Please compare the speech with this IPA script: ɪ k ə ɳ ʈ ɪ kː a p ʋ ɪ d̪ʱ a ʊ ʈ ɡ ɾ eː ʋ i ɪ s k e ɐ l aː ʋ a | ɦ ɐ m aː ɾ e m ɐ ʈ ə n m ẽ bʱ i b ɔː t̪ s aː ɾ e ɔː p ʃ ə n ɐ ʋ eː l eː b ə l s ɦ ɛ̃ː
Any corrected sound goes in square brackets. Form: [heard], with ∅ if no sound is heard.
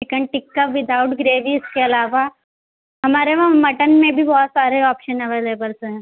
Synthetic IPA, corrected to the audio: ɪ k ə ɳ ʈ ɪ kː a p ʋ ɪ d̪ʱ a ʊ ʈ ɡ ɾ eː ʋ i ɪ s k e ɐ l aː ʋ a | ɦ ɐ m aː ɾ e m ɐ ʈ ə n m ẽ bʱ i b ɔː t̪ s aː ɾ e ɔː p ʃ ə n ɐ ʋ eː l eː b ə l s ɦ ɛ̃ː